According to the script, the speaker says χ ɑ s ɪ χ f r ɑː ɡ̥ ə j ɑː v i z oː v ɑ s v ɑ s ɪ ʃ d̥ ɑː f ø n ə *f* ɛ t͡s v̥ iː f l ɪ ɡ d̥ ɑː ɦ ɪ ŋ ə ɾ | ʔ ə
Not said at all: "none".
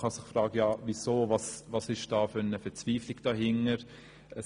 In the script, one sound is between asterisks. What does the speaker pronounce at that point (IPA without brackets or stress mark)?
f